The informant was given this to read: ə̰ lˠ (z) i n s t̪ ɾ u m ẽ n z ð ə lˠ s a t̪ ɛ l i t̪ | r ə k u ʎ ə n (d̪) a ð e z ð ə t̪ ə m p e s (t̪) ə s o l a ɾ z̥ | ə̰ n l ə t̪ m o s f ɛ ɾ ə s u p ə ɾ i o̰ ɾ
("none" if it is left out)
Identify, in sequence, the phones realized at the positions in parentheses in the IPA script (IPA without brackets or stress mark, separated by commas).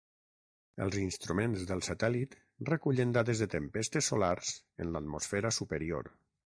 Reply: z, d̪, t̪